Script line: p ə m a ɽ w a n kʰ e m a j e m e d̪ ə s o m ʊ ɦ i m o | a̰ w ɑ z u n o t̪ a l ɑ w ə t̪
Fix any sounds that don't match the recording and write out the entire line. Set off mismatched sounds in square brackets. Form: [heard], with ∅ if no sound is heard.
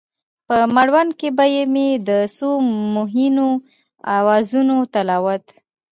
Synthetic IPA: p ə m a ɽ w a n [k] e [b] a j e m e d̪ ə s o m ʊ ɦ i [n] o | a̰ w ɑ z u n o t̪ a l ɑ w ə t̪